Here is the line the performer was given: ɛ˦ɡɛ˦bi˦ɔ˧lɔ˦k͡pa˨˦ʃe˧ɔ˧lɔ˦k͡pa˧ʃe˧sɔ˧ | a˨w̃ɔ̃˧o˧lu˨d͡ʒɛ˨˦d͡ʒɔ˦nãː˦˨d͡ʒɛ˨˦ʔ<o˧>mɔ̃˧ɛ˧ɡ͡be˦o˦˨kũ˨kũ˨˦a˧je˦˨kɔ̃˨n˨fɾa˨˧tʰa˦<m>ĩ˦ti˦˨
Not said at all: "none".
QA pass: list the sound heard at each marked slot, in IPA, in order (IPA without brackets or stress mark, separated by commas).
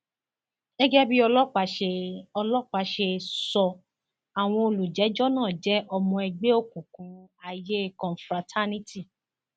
ɔ˧, n